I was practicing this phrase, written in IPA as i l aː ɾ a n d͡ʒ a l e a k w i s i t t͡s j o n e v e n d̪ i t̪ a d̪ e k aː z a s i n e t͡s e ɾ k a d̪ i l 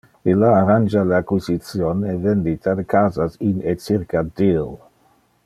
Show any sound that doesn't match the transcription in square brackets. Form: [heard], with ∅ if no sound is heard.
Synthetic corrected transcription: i l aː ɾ a n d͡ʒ a l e a k w i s i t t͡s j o n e v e n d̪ i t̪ a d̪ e k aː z a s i n e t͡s [i] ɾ k a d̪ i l